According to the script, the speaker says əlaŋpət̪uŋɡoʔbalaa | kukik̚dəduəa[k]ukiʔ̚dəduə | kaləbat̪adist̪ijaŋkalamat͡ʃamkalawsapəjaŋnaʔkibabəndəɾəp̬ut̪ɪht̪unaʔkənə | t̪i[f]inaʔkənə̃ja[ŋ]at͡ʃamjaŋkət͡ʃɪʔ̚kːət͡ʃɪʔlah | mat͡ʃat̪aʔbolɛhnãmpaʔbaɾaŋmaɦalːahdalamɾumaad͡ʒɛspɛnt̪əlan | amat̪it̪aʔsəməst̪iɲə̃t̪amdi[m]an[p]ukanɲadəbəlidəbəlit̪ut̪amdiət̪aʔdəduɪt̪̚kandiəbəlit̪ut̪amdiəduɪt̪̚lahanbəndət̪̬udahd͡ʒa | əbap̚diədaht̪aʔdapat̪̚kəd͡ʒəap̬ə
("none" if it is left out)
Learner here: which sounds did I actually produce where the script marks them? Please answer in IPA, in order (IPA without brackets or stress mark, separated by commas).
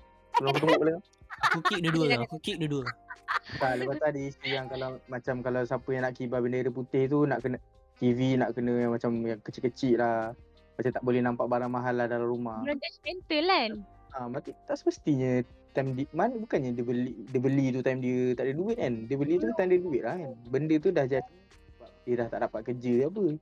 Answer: k, v, m, m, b